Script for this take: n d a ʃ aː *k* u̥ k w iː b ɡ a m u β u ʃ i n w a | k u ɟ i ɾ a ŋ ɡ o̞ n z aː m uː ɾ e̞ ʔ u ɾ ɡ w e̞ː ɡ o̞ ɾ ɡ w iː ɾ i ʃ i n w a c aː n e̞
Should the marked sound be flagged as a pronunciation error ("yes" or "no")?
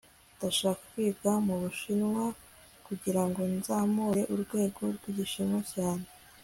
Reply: no